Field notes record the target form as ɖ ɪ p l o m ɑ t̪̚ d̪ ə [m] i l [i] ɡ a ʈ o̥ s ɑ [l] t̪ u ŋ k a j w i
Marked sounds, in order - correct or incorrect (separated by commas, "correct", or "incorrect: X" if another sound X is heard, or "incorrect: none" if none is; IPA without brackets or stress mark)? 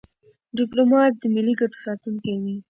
correct, correct, incorrect: none